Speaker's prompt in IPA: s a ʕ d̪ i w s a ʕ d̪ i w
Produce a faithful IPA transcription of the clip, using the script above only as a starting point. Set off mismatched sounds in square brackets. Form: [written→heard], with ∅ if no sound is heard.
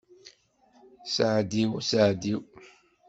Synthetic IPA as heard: s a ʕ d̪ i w s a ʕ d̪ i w